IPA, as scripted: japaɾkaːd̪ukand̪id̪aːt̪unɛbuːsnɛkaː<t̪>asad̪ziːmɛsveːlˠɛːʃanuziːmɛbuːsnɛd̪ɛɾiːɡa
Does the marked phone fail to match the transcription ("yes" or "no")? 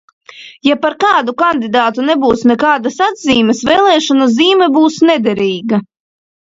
yes